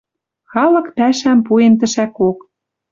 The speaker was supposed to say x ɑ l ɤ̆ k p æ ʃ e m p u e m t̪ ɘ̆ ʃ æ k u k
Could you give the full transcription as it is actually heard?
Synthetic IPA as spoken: x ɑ l ɤ̆ k p æ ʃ æ m p u e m t̪ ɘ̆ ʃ æ k o k